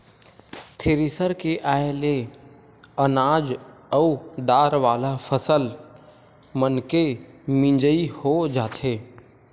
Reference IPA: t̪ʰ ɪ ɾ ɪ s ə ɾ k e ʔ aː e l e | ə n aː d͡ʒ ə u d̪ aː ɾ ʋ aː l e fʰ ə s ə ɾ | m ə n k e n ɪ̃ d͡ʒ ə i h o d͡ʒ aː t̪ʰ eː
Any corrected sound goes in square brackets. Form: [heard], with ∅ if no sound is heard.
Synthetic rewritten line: t̪ʰ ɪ ɾ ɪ s ə ɾ k e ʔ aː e l e | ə n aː d͡ʒ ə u d̪ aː ɾ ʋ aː l [a] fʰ ə s ə [l] | m ə n k e [m] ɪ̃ d͡ʒ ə i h o d͡ʒ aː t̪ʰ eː

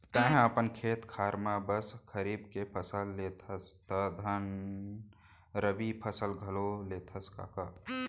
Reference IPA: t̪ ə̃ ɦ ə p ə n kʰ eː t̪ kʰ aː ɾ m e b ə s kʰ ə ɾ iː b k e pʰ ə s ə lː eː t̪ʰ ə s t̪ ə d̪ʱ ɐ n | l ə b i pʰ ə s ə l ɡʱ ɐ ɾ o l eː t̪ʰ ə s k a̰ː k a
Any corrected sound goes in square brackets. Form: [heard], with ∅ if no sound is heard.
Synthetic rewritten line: t̪ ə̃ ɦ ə p ə n kʰ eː t̪ kʰ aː ɾ m [a] b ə s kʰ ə ɾ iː b k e pʰ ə s ə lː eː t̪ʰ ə s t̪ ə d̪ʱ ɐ n | [ɾ] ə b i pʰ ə s ə l ɡʱ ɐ [l] o l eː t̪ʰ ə s k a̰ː k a

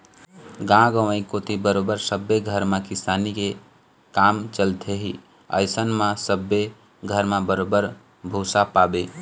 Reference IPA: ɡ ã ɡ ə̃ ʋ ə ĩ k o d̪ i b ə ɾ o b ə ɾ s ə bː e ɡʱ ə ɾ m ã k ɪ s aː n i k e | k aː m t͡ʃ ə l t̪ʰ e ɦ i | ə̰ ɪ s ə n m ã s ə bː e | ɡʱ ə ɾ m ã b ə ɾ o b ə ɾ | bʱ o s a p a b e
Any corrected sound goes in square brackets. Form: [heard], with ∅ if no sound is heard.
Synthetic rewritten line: ɡ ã ɡ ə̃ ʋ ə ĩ k o [t̪] i b ə ɾ o b ə ɾ s ə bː e ɡʱ ə ɾ m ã k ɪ s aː n i k e | k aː m t͡ʃ ə l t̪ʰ e ɦ i | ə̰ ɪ s ə n m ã s ə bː e | ɡʱ ə ɾ m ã b ə ɾ o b ə ɾ | bʱ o s a p a b e

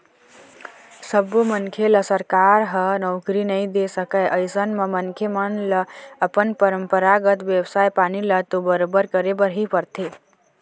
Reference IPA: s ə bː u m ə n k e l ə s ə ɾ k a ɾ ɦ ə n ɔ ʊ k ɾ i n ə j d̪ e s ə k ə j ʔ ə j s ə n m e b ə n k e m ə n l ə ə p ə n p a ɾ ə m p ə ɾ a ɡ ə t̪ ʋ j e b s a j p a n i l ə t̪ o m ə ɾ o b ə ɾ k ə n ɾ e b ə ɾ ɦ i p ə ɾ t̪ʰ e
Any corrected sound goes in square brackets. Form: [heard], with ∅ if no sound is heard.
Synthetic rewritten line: s ə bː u m ə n [kʰ] e l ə s ə ɾ k a ɾ ɦ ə n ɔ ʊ k ɾ i n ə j d̪ e s ə k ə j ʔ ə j s ə n m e [m] ə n [kʰ] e m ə n l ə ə p ə n p [ə] ɾ ə m p ə ɾ a ɡ ə t̪ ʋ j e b s a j p a n i l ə t̪ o [b] ə ɾ o b ə ɾ k ə [∅] ɾ e b ə ɾ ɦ i p ə ɾ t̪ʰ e

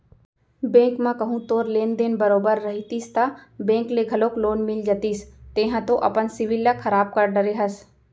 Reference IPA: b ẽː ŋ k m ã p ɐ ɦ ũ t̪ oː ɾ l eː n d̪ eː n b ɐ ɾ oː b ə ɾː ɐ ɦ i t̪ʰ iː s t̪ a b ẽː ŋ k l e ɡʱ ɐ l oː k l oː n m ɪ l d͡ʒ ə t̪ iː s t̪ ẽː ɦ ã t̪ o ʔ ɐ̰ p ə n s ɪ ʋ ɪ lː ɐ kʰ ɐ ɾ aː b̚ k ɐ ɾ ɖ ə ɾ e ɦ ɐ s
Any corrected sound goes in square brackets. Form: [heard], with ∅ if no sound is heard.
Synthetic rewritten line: b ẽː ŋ k m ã [k] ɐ ɦ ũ t̪ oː ɾ l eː n d̪ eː n b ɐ ɾ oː b ə ɾː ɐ ɦ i [t̪] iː s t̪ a b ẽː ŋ k l e ɡʱ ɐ l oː k l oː n m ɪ l d͡ʒ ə t̪ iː s t̪ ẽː ɦ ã t̪ o ʔ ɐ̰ p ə n s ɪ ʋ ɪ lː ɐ kʰ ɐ ɾ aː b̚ k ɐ ɾ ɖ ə ɾ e ɦ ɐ s

